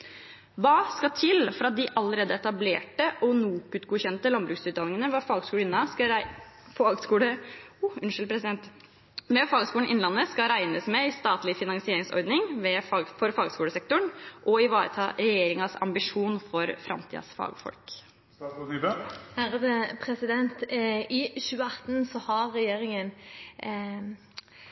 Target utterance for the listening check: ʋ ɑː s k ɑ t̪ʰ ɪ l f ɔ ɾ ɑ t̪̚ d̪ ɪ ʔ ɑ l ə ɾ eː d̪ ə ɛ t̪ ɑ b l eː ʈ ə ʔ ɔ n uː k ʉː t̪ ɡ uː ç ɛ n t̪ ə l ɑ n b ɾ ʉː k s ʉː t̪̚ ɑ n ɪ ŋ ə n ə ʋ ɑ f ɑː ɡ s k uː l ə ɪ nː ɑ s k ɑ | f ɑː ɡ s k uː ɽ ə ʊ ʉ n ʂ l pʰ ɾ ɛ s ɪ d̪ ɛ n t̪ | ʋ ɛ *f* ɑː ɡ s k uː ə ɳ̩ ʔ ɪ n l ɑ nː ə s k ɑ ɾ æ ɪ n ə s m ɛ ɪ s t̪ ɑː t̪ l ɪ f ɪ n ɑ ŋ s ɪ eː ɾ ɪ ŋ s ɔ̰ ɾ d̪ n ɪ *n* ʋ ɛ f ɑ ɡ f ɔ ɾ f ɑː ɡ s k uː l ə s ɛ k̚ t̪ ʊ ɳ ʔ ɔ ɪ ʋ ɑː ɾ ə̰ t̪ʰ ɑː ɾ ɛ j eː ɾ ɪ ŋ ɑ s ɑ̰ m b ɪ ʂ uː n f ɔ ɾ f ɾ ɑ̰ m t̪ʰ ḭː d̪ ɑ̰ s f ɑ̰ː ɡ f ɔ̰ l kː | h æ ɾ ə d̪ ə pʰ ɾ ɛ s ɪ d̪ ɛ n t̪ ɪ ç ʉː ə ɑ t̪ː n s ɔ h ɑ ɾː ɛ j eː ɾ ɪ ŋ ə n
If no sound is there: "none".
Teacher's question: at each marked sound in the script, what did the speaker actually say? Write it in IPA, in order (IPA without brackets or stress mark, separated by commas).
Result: f, ŋ